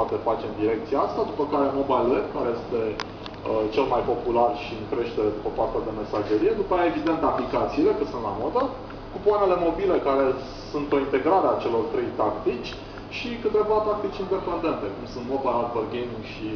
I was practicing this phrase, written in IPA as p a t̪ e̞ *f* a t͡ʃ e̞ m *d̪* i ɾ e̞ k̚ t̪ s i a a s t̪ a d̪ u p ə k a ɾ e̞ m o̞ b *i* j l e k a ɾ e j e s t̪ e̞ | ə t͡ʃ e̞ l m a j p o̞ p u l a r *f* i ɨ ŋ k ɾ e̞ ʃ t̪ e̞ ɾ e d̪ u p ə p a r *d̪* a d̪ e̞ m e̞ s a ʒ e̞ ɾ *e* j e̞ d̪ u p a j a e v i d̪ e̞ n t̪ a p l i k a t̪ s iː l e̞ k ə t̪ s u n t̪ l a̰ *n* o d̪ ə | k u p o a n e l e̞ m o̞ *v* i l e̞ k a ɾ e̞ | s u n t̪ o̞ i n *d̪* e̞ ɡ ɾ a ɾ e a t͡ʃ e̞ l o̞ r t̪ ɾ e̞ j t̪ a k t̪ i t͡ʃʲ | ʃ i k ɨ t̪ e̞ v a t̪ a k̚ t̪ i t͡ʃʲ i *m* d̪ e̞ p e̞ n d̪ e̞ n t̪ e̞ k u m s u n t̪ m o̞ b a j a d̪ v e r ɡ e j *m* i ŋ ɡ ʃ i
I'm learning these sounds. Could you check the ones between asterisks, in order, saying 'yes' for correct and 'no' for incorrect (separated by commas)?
yes, yes, no, no, no, no, no, no, no, no, yes